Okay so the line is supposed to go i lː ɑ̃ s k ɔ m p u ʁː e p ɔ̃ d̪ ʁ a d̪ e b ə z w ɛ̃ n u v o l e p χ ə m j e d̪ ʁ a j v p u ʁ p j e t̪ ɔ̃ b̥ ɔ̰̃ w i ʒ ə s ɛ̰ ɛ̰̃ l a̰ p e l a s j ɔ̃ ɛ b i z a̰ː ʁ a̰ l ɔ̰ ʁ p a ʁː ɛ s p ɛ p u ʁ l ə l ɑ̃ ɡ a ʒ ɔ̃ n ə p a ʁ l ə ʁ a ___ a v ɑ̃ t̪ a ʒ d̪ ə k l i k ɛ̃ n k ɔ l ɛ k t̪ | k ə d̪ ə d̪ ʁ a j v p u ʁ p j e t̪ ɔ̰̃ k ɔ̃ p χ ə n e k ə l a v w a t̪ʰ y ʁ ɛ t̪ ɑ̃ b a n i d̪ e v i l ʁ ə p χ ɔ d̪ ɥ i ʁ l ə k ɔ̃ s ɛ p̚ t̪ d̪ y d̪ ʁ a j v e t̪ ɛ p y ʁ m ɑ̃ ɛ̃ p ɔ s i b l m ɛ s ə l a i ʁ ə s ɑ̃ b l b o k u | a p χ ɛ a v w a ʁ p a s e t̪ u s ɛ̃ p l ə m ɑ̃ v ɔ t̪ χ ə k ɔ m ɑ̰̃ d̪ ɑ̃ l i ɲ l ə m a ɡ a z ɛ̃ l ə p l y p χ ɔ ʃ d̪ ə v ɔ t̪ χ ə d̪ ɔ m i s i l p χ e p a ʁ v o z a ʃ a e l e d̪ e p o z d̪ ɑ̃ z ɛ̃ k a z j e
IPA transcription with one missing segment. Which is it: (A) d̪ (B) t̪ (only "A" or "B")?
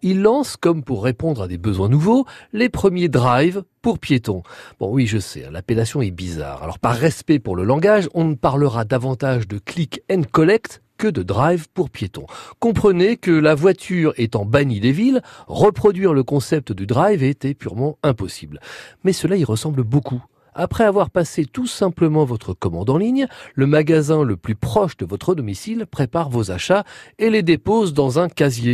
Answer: A